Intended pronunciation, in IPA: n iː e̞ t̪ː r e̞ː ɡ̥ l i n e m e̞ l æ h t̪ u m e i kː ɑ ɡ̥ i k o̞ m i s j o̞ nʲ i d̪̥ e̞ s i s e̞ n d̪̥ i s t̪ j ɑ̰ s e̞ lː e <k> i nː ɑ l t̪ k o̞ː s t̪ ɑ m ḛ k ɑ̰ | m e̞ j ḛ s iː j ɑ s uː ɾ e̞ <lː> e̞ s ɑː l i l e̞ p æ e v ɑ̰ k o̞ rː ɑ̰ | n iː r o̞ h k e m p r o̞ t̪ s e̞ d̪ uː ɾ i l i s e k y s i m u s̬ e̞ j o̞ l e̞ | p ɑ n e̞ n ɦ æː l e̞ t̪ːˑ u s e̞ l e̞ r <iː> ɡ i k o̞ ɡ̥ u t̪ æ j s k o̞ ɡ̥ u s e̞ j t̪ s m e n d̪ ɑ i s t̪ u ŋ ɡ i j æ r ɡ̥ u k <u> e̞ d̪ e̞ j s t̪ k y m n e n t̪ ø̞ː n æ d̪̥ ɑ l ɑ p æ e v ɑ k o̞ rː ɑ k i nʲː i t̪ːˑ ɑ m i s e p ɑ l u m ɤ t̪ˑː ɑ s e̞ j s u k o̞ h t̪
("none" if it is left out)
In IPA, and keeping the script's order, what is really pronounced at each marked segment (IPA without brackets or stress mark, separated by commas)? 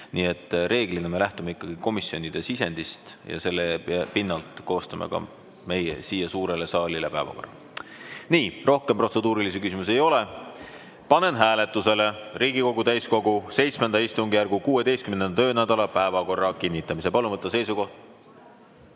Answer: p, l, iː, uː